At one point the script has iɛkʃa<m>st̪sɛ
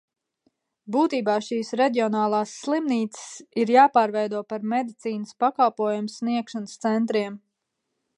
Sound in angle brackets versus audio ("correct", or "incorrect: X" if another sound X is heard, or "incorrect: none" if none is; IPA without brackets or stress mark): incorrect: n